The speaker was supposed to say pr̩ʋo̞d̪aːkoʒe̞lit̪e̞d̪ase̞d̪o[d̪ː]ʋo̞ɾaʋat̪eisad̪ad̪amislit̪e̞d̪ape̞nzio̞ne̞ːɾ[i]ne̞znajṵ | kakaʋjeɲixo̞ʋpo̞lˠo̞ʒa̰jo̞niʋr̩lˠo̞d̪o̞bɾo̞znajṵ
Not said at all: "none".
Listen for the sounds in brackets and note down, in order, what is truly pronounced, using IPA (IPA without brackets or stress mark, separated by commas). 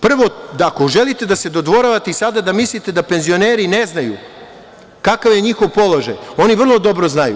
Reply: d̪, i